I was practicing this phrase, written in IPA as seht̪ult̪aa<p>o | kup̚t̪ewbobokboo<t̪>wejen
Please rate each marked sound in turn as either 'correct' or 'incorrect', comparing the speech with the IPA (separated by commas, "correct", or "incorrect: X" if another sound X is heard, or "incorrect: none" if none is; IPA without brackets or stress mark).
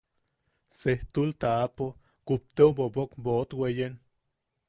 correct, correct